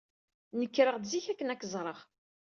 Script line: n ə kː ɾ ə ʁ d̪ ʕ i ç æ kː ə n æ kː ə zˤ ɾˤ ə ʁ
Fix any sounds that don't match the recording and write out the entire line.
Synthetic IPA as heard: n ə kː ɾ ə ʁ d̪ z i ç æ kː ə n æ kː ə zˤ ɾˤ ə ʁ